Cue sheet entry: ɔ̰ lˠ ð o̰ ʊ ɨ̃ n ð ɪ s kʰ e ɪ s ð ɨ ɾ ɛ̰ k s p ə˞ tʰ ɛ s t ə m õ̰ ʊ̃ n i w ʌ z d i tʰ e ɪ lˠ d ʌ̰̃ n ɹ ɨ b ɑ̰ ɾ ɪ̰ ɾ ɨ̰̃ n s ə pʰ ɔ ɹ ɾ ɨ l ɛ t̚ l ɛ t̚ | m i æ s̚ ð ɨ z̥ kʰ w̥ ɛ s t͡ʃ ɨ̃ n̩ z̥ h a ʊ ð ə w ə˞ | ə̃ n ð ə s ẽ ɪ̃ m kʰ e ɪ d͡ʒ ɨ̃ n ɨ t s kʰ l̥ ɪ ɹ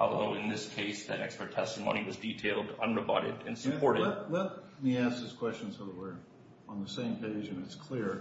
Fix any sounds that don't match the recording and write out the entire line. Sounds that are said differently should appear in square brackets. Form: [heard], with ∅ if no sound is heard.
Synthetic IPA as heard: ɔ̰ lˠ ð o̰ ʊ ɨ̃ n ð ɪ s kʰ e ɪ s ð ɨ ɾ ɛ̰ k s p ə˞ tʰ ɛ s t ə m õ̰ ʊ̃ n i w ʌ z d i tʰ e ɪ lˠ d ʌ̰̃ n ɹ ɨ b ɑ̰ ɾ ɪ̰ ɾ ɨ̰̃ n s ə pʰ ɔ ɹ ɾ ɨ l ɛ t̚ l ɛ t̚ | m i æ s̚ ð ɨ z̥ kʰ w̥ ɛ s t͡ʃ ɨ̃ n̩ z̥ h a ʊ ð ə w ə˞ | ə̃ n ð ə s ẽ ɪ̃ m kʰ e ɪ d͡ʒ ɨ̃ n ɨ t s kʰ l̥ ɪ ɹ